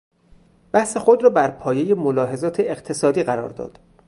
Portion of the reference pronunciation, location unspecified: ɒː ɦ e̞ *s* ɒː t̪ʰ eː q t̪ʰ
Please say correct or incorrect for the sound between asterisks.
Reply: incorrect